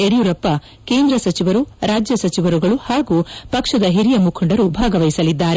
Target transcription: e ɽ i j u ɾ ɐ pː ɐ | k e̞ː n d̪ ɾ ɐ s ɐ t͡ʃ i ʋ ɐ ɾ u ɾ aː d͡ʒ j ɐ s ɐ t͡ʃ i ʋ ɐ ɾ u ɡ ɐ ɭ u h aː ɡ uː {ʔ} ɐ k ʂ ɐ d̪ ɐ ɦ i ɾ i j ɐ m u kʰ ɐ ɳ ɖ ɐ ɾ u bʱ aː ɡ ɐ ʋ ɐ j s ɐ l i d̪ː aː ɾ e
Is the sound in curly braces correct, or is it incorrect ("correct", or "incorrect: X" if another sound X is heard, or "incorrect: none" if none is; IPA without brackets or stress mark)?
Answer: incorrect: p